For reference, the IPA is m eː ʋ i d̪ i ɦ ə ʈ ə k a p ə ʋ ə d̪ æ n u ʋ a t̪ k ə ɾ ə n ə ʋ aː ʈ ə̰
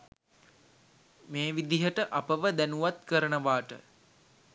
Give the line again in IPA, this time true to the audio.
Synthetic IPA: m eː ʋ i d̪ i ɦ ə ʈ ə ʔ a p ə ʋ ə d̪ æ n u ʋ a t̪ k ə ɾ ə n ə ʋ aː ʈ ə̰